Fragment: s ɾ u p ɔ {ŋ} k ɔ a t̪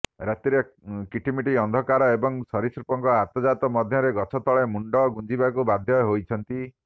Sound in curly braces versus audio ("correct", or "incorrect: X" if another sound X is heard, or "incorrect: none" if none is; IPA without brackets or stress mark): correct